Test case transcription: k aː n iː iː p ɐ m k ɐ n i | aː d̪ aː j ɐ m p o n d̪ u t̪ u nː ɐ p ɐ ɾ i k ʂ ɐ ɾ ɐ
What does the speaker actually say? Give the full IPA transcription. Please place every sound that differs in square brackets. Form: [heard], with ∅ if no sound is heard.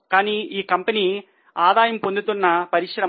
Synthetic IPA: k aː n iː iː [k] ɐ m [p] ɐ n i | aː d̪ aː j ɐ m p o n d̪ u t̪ u nː ɐ p ɐ ɾ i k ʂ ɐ ɾ ɐ